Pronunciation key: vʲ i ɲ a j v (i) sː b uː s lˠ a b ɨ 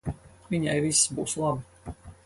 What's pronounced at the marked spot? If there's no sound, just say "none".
i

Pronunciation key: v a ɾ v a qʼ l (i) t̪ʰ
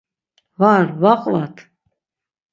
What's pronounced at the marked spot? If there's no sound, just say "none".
a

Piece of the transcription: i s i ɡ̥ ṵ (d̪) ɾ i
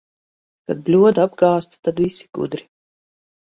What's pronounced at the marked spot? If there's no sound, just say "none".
d̪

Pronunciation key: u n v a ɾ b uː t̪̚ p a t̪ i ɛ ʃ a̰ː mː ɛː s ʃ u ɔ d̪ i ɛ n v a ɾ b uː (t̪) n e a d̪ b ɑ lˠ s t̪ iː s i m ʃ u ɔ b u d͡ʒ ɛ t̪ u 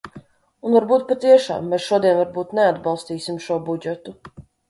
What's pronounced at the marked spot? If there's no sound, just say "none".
t̪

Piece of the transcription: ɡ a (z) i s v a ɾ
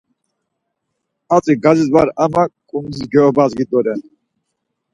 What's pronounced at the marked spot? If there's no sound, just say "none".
z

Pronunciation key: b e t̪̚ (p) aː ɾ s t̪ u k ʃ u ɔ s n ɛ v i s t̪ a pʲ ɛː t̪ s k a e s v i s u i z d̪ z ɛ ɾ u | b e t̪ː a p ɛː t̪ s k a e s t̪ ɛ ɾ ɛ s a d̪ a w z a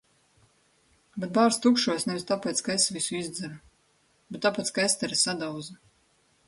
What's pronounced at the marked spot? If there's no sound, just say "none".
b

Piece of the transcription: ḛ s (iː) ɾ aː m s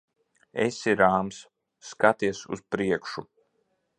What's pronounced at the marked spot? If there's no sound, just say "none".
i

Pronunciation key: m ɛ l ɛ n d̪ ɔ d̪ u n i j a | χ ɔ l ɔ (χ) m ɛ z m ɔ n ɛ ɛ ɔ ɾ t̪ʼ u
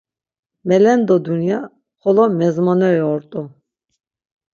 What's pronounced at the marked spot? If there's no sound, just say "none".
none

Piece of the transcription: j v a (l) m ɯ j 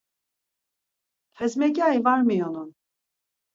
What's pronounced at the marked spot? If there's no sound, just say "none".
ɾ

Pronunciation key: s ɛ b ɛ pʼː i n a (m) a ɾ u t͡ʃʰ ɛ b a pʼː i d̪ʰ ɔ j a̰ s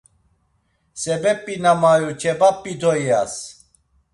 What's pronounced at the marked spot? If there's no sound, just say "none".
m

